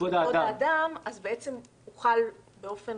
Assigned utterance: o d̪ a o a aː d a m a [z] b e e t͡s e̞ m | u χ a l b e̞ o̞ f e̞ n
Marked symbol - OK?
yes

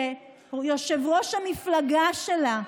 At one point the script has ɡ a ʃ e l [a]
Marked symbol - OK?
yes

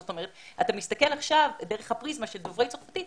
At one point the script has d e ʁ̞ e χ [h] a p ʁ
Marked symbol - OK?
yes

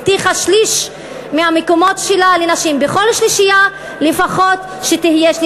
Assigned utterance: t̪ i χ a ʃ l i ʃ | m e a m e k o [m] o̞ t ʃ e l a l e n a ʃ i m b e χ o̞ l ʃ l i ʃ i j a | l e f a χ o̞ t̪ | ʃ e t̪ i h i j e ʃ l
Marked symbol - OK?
yes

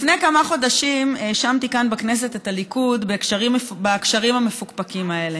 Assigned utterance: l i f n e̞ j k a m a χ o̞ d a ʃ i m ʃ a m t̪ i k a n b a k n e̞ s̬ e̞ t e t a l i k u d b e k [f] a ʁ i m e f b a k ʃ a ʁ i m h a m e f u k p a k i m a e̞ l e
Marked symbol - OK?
no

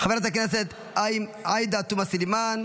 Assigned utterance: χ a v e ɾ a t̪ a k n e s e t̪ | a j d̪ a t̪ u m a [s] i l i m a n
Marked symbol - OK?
yes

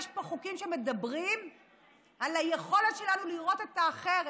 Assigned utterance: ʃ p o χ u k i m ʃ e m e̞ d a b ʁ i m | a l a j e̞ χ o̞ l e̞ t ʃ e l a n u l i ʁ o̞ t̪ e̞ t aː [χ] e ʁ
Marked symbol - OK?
yes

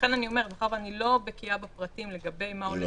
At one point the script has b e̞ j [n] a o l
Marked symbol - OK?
no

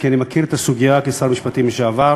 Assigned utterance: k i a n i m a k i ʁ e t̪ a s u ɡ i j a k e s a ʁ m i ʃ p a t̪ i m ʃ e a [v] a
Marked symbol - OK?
yes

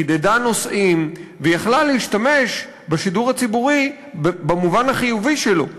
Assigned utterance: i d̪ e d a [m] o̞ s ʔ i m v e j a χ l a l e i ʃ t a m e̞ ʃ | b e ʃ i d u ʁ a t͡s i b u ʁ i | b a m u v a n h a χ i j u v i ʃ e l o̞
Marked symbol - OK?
no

